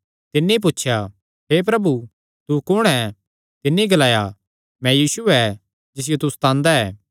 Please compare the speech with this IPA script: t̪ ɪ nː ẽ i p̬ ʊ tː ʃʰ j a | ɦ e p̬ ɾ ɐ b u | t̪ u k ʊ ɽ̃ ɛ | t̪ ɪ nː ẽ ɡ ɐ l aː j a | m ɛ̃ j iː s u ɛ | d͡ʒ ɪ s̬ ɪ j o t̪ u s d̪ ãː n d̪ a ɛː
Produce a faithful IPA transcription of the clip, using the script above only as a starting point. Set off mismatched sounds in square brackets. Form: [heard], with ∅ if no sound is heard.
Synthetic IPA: t̪ ɪ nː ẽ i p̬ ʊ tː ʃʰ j a | ɦ e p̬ ɾ ɐ b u | t̪ u k ʊ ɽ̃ ɛ | t̪ ɪ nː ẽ ɡ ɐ l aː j a | m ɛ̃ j iː s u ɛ | d͡ʒ ɪ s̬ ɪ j o t̪ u s [t̪] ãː n d̪ a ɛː